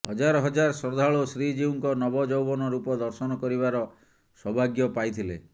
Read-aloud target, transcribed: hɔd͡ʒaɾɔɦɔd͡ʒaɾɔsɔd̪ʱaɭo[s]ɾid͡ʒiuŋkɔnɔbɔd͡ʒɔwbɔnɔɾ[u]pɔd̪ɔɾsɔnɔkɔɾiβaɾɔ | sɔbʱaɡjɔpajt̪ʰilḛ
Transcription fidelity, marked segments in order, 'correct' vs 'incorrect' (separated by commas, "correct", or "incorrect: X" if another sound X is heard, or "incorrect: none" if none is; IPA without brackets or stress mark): correct, correct